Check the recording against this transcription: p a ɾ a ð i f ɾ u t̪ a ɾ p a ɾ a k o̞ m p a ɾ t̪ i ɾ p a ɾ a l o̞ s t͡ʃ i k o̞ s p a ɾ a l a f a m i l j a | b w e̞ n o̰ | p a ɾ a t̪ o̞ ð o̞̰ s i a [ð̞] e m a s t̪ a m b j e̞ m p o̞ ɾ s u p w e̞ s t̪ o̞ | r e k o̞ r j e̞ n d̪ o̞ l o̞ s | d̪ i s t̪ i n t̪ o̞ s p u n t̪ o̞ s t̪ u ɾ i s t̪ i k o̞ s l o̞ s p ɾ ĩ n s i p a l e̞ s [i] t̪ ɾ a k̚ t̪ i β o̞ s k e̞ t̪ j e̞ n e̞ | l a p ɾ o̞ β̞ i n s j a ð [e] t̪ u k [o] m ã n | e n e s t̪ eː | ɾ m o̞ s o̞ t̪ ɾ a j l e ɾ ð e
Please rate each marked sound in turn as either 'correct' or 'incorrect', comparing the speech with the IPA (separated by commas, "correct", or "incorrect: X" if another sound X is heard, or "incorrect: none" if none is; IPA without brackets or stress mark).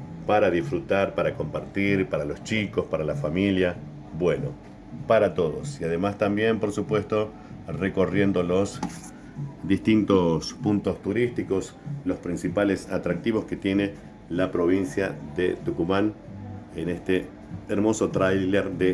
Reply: correct, incorrect: a, correct, incorrect: u